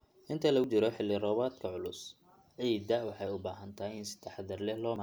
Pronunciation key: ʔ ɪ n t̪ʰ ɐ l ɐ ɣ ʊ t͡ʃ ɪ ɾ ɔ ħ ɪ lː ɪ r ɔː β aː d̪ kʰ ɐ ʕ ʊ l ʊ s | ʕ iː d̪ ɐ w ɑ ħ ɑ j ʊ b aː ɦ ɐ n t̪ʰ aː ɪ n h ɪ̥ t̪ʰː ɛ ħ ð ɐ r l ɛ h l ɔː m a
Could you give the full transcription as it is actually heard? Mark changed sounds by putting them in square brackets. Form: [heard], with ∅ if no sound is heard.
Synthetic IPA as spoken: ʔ ɪ n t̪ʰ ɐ l ɐ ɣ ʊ t͡ʃ ɪ ɾ ɔ ħ ɪ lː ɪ r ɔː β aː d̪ kʰ ɐ ʕ ʊ l ʊ s | ʕ iː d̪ ɐ w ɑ ħ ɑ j ʊ b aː ɦ ɐ n t̪ʰ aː ɪ n [s] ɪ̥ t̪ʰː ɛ ħ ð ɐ r l ɛ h l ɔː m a